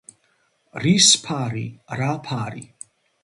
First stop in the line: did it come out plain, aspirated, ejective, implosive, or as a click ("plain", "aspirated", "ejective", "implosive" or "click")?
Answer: aspirated